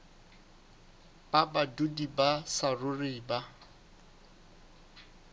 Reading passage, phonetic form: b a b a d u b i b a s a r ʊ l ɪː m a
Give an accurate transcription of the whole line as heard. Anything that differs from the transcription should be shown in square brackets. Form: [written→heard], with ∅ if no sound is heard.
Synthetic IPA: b a b a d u [b→d] i b a s a r ʊ [l→r] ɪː [m→b] a

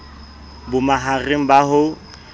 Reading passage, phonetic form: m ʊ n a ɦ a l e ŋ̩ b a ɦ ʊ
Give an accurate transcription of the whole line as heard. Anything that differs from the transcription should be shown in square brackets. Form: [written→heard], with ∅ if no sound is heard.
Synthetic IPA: [m→b] ʊ [n→m] a ɦ a [l→r] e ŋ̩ b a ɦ ʊ

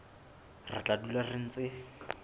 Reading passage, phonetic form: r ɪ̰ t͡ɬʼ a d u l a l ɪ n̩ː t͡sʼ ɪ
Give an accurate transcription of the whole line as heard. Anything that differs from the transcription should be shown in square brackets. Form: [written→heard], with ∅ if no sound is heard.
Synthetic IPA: r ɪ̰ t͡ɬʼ a d u l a [l→r] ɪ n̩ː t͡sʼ ɪ

